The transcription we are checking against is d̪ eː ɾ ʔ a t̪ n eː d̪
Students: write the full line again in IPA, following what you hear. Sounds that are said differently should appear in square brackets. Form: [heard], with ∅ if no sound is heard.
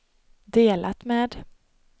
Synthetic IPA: d̪ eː [l] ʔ a t̪ [m] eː d̪